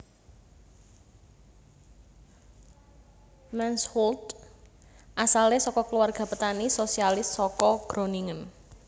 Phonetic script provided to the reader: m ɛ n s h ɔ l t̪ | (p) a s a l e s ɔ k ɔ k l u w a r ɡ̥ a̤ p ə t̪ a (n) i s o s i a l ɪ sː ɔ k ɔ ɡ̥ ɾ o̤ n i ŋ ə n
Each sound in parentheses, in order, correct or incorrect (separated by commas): incorrect, correct